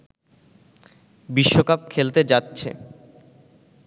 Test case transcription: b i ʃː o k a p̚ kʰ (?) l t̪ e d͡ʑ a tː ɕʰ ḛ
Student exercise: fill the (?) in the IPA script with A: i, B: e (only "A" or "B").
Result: B